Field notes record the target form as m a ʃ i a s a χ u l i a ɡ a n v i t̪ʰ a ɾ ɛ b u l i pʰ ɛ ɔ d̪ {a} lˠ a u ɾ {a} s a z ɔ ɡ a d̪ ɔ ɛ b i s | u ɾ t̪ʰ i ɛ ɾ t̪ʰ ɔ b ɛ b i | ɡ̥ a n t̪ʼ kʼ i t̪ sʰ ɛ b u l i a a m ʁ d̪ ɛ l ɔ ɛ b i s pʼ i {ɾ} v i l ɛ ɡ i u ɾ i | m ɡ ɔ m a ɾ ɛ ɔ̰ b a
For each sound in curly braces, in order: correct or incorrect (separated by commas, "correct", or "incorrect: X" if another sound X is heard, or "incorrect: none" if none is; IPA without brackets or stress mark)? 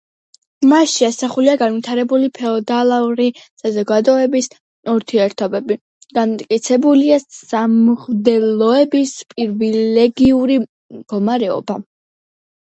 correct, incorrect: i, correct